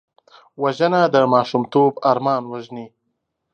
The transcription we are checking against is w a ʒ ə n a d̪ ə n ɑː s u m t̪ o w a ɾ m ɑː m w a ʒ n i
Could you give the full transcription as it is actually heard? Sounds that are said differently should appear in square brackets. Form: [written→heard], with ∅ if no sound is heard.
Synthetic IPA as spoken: w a ʒ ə n a d̪ ə [n→m] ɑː [s→ʃ] u m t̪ o [w→b] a ɾ m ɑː [m→n] w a ʒ n i